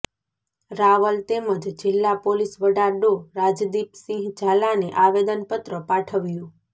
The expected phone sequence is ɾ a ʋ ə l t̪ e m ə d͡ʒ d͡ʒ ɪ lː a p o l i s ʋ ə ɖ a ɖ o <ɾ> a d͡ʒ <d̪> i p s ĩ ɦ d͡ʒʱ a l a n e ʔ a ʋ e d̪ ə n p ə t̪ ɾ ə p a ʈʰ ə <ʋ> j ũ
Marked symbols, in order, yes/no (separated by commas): yes, yes, yes